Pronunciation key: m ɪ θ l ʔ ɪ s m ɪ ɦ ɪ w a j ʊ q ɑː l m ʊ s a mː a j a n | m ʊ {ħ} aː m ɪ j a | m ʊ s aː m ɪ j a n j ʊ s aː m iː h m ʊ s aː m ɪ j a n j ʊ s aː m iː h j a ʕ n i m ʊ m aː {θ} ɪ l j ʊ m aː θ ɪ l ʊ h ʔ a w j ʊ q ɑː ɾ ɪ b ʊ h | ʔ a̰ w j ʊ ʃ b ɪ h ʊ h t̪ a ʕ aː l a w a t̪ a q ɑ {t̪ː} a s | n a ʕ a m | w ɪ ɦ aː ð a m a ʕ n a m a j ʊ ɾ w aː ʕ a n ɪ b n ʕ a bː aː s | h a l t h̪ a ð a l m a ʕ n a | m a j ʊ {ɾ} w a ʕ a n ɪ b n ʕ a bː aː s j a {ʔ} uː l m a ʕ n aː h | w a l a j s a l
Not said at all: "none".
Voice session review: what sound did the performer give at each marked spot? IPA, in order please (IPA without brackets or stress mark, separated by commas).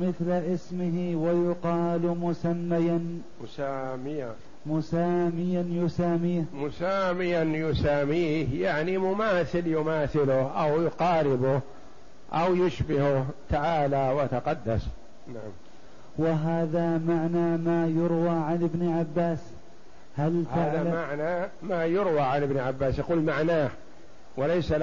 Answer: s, θ, d̪ː, ɾ, q